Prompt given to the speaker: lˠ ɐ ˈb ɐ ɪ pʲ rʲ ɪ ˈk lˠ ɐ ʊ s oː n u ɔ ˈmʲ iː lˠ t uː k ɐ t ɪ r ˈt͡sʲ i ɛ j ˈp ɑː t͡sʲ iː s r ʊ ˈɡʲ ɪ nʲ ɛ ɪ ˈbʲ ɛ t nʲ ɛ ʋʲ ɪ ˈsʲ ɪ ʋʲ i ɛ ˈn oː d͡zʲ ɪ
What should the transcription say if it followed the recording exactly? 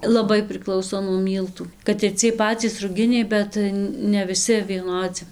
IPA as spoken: lˠ ɐ ˈb ɐ ɪ pʲ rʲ ɪ ˈk lˠ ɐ ʊ s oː n u ɔ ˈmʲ iː lˠ t uː k ɐ t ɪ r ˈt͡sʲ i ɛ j ˈp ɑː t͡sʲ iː s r ʊ ˈɡʲ ɪ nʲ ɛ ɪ ˈbʲ ɛ t nʲ ɛ ʋʲ ɪ ˈsʲ ɪ ʋʲ i ɛ ˈn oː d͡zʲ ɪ